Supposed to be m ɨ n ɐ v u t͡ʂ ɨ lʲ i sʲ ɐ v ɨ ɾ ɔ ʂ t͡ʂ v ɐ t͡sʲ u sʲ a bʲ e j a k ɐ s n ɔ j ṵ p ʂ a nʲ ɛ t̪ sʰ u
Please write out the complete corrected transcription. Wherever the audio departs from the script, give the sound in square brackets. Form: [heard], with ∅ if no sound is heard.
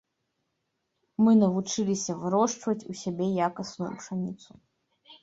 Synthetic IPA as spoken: m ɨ n ɐ v u t͡ʂ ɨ lʲ i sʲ ɐ v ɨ ɾ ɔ ʂ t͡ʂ v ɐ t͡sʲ u sʲ a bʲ e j a k ɐ s n [u] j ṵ p ʂ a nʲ [i] t̪ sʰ u